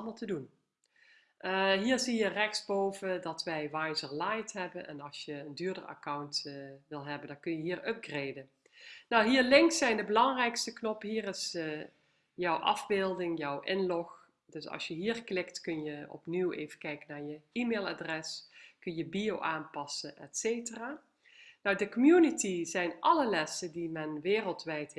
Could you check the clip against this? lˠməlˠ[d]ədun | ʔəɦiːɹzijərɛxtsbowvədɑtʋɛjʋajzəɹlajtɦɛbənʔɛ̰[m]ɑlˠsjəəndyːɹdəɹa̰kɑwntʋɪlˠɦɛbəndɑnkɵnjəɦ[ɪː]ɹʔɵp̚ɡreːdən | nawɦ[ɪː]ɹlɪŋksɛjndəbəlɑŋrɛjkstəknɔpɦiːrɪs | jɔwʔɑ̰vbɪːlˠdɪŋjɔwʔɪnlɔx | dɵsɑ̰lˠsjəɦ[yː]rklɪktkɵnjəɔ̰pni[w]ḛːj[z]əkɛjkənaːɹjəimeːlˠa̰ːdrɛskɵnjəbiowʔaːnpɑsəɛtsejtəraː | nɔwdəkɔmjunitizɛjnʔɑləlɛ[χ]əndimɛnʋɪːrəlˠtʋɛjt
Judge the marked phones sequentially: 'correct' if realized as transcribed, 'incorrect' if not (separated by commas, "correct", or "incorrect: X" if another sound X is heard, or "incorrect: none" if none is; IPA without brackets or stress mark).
incorrect: t, incorrect: n, incorrect: iː, incorrect: iː, incorrect: iː, correct, incorrect: v, incorrect: s